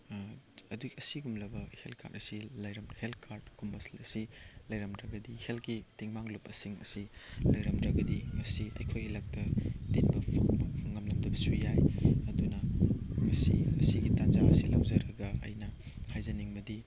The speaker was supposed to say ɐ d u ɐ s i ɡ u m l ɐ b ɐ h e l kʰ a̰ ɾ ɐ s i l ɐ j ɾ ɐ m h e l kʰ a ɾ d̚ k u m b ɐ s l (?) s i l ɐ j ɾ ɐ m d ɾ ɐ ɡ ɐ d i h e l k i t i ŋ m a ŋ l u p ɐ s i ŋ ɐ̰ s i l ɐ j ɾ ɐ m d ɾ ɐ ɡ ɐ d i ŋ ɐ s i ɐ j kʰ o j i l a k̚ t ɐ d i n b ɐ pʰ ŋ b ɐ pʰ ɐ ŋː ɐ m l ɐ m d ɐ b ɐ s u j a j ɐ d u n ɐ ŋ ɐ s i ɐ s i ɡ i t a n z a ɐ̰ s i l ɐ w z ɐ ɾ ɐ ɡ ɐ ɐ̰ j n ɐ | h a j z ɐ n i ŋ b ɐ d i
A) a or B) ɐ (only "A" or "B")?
B